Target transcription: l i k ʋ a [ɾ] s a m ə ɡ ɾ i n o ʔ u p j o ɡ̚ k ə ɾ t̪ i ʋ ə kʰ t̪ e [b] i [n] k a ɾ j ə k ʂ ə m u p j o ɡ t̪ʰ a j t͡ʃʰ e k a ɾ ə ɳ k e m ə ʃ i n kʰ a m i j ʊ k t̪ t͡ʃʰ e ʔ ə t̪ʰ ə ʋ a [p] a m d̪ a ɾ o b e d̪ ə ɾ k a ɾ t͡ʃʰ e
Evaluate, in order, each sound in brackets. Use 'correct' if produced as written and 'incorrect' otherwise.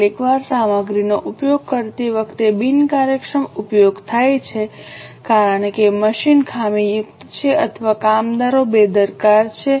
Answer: correct, correct, correct, incorrect: k

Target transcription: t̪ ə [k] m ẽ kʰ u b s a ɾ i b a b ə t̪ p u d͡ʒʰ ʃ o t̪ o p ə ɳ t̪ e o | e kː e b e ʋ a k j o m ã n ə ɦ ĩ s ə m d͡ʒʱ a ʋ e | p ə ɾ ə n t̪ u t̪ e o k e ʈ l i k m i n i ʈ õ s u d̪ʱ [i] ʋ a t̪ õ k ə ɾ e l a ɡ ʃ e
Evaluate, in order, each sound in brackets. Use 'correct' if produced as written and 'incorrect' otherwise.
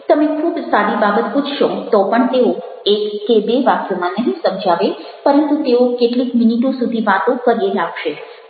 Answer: incorrect: none, correct

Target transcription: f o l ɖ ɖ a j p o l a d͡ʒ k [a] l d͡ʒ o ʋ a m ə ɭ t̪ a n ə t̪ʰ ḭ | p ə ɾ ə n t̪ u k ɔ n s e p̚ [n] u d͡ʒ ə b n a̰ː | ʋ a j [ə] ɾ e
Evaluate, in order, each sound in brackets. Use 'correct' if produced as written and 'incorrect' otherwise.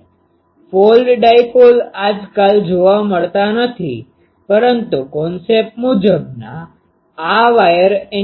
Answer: correct, incorrect: m, correct

